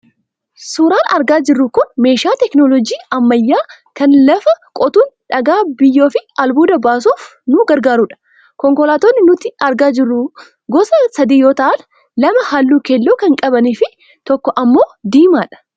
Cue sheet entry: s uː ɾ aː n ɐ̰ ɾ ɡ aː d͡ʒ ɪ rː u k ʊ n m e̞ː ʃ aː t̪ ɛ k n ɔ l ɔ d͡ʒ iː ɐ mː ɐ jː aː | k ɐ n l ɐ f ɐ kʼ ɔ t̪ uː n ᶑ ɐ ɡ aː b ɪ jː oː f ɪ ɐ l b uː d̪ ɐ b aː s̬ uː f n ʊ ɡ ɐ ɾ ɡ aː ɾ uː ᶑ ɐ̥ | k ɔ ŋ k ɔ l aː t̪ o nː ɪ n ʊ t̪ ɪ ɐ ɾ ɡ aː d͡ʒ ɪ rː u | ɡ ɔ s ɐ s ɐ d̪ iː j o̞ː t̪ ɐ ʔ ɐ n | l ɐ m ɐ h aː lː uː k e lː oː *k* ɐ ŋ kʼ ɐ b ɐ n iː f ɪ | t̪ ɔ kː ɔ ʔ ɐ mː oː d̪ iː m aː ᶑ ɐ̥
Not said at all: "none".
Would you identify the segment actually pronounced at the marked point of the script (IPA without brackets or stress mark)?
k